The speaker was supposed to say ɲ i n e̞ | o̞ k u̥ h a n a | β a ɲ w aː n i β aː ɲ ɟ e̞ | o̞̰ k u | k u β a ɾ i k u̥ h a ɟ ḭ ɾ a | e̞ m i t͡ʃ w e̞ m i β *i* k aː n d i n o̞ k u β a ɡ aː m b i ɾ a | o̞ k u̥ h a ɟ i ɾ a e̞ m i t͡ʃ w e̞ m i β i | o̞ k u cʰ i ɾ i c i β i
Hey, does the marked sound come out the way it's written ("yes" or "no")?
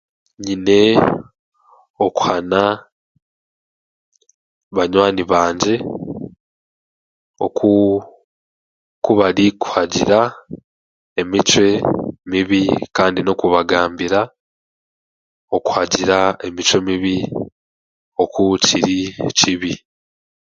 yes